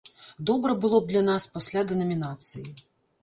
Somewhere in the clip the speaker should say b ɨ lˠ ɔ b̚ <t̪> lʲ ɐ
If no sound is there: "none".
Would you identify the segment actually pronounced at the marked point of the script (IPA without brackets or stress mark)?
d̪